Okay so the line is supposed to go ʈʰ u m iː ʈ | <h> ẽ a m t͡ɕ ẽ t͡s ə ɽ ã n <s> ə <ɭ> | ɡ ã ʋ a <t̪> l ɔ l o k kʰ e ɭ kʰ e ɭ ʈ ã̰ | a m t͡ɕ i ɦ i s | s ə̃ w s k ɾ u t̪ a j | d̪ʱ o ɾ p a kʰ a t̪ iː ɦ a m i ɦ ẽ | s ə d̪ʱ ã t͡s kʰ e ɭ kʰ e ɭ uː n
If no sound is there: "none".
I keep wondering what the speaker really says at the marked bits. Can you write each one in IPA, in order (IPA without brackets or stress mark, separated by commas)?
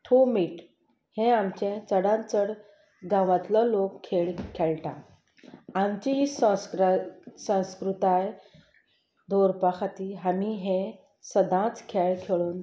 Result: h, t͡s, ɽ, t̪